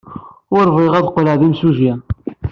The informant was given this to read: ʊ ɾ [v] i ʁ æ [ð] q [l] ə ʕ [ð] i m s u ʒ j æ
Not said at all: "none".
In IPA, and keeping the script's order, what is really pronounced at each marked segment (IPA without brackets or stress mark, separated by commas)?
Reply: v, ð, l, ð